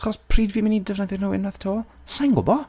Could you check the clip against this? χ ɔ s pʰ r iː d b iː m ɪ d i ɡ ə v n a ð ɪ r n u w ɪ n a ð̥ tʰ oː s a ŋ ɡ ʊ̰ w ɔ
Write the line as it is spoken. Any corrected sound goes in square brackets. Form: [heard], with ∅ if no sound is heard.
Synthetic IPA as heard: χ ɔ s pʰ r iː d [v] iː m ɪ [n] i [d] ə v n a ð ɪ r n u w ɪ n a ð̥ tʰ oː s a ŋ ɡ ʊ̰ [b] ɔ